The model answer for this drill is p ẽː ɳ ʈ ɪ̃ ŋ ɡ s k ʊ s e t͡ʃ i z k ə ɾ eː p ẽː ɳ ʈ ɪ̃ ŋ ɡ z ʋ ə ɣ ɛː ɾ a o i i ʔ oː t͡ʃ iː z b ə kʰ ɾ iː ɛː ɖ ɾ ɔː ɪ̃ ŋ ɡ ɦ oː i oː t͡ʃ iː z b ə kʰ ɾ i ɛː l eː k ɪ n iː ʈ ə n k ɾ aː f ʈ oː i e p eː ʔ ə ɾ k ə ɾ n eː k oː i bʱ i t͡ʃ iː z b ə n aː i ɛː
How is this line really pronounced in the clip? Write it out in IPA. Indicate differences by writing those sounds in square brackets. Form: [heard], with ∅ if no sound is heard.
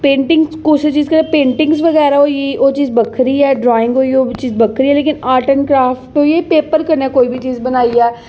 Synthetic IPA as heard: p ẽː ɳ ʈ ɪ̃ ŋ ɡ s k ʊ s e t͡ʃ [iː] z k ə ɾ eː p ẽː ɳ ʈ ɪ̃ ŋ ɡ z ʋ ə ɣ ɛː ɾ a o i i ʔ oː t͡ʃ iː z b ə kʰ ɾ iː ɛː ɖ ɾ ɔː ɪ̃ ŋ ɡ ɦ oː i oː t͡ʃ iː z b ə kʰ ɾ i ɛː l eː k ɪ n [aː] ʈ ə n k ɾ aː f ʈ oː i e p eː [p] ə ɾ k ə ɾ n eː k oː i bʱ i t͡ʃ iː z b ə n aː i ɛː